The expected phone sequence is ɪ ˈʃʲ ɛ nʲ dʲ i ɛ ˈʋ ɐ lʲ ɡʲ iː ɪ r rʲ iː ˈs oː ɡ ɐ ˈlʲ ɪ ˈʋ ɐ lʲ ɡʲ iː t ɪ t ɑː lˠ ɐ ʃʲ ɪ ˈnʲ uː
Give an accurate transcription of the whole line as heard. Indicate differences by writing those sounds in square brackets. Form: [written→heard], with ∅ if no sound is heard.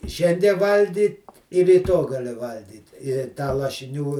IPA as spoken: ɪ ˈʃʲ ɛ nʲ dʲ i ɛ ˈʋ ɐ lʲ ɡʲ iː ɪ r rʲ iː [ˈs→ˈt] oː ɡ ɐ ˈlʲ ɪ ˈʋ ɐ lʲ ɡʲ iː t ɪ t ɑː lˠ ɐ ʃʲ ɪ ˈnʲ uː